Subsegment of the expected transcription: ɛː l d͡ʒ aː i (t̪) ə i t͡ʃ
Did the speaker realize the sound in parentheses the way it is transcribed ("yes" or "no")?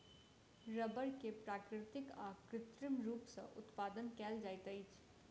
yes